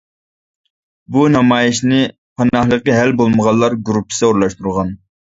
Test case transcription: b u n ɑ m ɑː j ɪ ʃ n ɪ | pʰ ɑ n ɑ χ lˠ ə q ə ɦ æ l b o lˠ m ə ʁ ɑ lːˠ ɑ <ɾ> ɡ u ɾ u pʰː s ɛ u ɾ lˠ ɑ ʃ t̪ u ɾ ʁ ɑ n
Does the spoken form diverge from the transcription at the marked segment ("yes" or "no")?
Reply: no